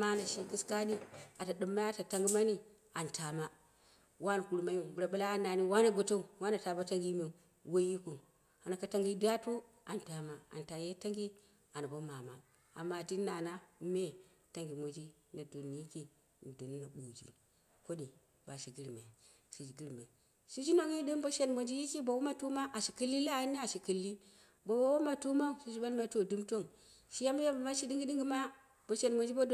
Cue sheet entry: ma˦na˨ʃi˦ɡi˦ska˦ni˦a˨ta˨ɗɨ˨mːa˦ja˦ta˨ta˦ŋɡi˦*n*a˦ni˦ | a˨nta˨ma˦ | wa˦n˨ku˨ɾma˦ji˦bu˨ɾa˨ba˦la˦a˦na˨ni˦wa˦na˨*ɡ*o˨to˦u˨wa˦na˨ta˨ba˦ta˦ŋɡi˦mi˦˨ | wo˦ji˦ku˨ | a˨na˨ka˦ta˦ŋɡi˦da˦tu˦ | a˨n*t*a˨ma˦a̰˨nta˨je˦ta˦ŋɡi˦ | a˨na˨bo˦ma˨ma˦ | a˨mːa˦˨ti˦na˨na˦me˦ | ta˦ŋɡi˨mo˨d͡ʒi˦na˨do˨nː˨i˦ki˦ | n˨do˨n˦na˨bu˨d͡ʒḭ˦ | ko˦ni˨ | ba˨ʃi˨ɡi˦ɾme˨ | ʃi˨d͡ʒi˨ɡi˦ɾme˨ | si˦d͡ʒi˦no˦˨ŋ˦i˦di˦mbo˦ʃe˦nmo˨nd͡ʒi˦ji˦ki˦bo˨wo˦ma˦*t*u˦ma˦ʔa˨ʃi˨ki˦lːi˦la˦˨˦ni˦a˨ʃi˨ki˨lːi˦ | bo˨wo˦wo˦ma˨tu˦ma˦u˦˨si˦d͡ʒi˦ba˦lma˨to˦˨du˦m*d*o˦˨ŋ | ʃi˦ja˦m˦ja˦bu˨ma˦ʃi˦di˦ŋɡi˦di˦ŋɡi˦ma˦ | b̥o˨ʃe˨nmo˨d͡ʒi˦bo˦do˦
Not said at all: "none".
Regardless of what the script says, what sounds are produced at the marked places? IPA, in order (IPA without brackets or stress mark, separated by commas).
m, ɡ, t, t, t